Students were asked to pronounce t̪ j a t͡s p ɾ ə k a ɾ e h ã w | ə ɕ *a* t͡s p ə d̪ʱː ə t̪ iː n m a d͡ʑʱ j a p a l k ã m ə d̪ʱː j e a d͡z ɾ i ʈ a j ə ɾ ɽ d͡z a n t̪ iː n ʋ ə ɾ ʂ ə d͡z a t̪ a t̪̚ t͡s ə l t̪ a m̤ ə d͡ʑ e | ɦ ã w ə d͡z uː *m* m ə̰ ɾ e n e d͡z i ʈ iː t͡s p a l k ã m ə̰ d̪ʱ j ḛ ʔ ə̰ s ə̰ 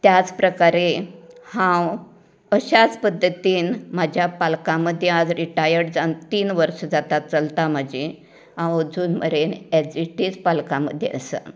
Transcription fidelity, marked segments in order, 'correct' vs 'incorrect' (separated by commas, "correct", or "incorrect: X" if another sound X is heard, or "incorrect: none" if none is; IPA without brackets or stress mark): correct, incorrect: n